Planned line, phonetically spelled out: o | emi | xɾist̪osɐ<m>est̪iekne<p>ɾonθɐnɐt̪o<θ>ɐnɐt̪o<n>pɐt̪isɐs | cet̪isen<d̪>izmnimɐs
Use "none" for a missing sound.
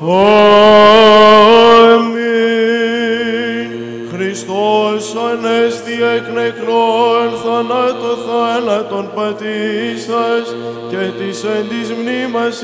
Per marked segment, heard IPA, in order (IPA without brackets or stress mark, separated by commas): n, k, θ, n, d̪